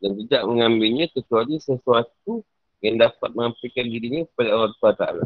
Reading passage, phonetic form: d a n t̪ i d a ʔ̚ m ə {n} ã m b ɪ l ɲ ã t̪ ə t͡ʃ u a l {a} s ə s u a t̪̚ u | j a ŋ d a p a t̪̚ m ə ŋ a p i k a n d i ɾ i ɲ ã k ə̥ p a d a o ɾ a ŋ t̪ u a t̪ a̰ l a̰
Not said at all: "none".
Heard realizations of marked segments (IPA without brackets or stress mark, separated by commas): ŋ, i